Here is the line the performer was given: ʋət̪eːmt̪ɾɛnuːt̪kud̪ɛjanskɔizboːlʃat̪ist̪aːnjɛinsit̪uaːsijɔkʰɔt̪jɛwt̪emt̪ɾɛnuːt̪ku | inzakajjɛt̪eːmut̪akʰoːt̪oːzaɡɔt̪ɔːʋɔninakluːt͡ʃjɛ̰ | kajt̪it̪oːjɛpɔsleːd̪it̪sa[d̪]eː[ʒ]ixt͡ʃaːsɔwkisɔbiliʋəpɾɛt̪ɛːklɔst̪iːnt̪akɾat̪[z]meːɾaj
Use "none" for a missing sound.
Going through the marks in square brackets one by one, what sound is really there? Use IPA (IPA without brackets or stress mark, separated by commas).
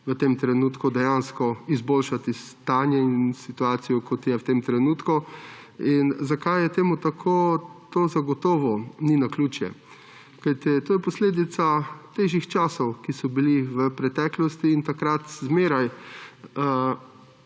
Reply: t̪, ʒ, z